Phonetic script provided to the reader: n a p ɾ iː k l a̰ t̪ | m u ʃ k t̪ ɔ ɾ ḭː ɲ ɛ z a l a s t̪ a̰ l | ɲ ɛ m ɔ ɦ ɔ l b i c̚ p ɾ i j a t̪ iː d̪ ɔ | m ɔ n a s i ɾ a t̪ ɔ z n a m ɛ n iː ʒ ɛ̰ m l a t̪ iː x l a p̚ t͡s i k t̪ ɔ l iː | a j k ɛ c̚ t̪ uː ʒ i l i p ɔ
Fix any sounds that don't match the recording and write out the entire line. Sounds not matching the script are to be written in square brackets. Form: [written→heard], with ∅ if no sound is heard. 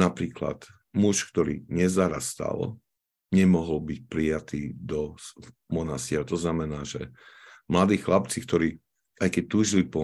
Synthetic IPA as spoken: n a p ɾ iː k l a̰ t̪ | m u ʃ k t̪ ɔ ɾ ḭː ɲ ɛ z a [l→ɾ] a s t̪ a̰ l | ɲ ɛ m ɔ ɦ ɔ l b i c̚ p ɾ i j a t̪ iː d̪ ɔ | m ɔ n a s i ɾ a t̪ ɔ z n a m ɛ n [iː→aː] ʒ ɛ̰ m l a [t̪→d̪] iː x l a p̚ t͡s i k t̪ ɔ [l→ɾ] iː | a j k ɛ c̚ t̪ uː ʒ i l i p ɔ